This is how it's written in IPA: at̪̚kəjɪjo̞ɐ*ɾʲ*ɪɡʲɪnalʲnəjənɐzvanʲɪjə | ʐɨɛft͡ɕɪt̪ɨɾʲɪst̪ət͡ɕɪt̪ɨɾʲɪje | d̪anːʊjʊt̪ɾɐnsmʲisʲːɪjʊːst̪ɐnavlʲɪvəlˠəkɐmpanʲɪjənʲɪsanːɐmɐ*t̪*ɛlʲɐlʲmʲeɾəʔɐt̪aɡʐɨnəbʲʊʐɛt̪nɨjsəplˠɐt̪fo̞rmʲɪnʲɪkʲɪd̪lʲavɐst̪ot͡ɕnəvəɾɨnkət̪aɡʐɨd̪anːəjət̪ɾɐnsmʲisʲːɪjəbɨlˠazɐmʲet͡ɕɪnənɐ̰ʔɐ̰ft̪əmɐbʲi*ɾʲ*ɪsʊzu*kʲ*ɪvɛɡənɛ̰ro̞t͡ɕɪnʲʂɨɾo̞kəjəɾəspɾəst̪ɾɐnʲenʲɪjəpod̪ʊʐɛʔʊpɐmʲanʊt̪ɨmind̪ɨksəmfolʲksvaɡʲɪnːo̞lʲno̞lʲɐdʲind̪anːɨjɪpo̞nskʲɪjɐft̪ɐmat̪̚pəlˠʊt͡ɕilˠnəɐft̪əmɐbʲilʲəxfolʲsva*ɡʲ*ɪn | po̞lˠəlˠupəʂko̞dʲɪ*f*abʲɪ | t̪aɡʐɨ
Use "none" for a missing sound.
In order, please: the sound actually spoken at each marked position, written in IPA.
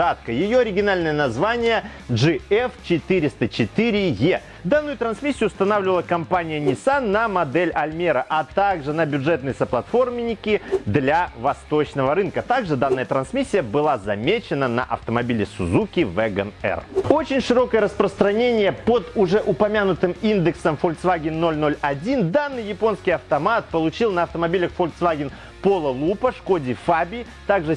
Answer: ɾʲ, d̪, lʲ, kʲ, ɡʲ, f

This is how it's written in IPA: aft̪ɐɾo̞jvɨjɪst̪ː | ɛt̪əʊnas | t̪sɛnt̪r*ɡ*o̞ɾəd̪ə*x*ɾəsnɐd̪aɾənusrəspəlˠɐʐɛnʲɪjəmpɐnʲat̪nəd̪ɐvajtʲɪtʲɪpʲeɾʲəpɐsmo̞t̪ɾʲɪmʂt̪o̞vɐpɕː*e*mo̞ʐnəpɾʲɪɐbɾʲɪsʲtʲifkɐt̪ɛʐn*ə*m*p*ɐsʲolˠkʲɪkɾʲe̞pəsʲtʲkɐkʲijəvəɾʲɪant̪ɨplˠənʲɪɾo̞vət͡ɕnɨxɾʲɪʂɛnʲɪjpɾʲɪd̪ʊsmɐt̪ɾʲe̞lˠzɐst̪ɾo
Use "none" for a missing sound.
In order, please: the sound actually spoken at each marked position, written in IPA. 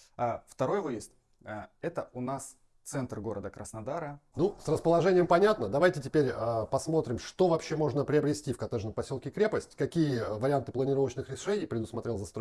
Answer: ɡ, k, e, ə, p

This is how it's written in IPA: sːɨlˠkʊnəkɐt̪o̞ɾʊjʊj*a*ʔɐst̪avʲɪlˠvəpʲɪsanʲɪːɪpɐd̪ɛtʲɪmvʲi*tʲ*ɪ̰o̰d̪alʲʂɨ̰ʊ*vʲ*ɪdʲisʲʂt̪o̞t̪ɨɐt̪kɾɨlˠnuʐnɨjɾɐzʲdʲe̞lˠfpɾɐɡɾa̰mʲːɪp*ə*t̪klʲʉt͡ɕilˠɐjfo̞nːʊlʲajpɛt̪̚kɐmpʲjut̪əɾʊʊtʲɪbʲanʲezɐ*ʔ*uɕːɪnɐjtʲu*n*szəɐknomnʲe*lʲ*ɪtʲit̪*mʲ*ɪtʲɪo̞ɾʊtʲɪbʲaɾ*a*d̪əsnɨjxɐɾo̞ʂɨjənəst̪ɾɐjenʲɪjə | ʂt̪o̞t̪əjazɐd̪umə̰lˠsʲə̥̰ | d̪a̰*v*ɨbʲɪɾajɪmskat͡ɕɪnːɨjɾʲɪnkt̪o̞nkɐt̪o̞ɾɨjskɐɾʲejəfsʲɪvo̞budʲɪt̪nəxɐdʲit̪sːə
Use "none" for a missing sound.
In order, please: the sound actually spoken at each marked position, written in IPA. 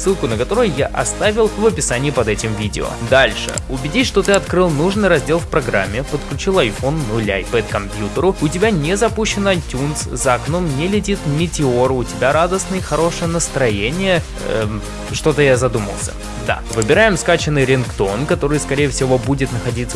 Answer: a, dʲ, bʲ, ə, p, n, lʲ, mʲ, a, v

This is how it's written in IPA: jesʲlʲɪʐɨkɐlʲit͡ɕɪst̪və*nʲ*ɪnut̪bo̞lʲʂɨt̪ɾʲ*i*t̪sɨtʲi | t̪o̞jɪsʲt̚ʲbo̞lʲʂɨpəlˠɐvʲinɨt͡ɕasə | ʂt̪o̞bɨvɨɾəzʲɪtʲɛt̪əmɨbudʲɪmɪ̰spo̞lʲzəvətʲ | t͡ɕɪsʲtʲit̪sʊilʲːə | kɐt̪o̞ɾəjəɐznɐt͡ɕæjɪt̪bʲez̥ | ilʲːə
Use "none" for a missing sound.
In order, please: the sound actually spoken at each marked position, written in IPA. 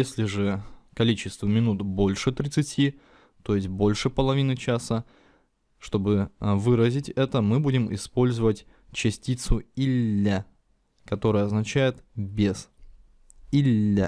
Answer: mʲ, ɪ

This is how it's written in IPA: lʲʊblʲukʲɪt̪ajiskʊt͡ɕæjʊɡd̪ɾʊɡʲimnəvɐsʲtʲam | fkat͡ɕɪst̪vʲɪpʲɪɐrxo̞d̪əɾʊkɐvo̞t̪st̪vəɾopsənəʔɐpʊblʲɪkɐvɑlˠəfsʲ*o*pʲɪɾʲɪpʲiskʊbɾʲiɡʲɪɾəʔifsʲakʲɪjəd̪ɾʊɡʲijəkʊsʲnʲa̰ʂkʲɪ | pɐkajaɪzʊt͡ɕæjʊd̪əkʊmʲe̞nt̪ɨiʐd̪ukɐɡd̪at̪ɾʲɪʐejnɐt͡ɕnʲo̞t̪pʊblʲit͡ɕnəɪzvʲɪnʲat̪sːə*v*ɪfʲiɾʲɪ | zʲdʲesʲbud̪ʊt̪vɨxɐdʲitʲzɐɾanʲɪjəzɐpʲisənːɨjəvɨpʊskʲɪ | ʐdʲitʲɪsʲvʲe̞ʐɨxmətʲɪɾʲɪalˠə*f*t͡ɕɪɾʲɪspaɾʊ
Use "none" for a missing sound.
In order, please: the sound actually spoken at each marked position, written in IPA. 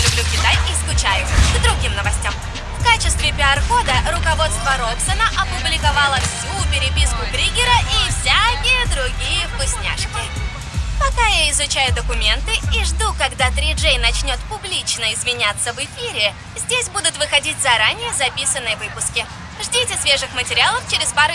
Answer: u, v, f

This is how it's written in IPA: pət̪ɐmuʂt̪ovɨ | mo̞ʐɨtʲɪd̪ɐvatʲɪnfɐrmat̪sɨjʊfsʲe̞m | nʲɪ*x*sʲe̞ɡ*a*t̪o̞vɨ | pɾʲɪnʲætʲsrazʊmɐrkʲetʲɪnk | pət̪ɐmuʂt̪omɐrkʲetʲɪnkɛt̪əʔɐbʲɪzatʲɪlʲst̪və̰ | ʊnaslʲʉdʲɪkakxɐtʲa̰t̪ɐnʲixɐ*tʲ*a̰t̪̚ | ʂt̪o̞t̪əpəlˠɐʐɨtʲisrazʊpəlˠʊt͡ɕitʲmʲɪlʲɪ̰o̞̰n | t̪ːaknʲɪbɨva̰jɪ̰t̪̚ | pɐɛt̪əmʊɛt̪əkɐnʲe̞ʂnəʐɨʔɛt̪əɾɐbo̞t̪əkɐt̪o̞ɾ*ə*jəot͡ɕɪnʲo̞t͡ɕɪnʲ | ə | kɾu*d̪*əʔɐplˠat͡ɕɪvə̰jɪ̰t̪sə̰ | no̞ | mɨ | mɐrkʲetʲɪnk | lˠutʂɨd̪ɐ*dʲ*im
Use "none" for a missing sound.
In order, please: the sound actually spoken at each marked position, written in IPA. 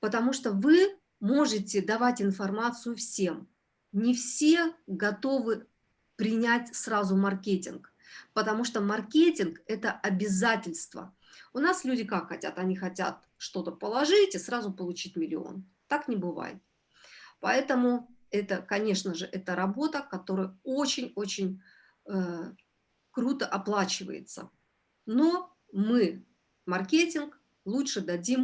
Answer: f, ɐ, tʲ, ə, t̪, dʲ

